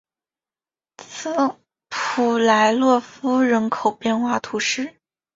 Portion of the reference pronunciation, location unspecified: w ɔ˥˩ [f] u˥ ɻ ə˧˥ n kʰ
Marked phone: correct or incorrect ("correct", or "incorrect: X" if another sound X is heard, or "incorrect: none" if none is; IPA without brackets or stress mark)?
correct